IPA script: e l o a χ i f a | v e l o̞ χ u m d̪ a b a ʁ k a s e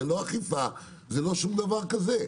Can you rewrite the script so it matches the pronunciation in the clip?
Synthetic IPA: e l o a χ i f a | z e l o̞ ʃ u m d̪ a v a ʁ k a z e

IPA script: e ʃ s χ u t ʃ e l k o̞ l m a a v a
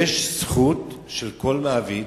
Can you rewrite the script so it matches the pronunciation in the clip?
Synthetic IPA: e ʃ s χ u t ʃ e l k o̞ l m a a v i

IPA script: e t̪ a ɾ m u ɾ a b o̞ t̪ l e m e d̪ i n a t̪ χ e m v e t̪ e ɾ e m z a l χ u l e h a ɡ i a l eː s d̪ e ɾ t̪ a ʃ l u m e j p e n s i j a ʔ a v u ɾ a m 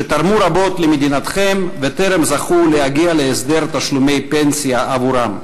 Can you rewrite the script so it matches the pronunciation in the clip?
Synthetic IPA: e t̪ a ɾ m u ɾ a b o̞ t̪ l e m e d̪ i n a t̪ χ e m v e t̪ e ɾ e m z a χ u l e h a ɡ i a l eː s d̪ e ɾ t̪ a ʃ l u m e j p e n s i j a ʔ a v u ɾ a m

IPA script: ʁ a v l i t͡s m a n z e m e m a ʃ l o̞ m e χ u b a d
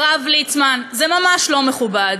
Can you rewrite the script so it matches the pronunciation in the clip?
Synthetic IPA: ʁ a v l i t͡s m a n z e m a m a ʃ l o̞ m e χ u b a d

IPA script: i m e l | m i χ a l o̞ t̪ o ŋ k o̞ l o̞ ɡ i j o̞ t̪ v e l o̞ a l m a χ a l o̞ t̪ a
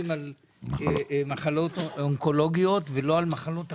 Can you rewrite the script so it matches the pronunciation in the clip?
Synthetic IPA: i m a l | m a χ a l o̞ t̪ o ŋ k o̞ l o̞ ɡ i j o̞ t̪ v e l o̞ a l m a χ a l o̞ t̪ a

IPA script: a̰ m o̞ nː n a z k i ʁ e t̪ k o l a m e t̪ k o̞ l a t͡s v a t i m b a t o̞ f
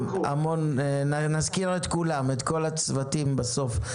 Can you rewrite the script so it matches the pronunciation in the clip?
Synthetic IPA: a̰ m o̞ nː n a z k i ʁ e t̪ k u l a m e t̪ k o̞ l a t͡s v a t i m b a s o̞ f

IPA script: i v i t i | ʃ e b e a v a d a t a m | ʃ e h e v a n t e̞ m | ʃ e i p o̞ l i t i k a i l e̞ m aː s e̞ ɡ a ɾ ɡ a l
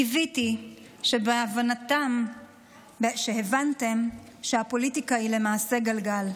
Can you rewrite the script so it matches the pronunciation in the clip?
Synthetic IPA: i v i t i | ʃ e b e a v a n a t a m | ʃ e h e v a n t e̞ m | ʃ e a p o̞ l i t i k a i l e̞ m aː s e̞ ɡ a l ɡ a l

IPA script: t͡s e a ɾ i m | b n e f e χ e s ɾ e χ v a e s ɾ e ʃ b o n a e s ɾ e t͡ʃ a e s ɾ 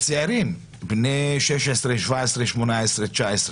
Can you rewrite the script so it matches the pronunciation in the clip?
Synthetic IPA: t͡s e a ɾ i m | b n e ʃ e ʃ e s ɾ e ʃ v a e s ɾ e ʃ m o n a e s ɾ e t͡ʃ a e s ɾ

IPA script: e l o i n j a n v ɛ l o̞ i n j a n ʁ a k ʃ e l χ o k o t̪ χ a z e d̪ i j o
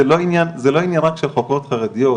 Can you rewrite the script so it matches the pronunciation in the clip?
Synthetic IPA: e l o i n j a n z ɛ l o̞ i n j a n ʁ a k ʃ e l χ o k o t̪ χ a ʁ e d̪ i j o

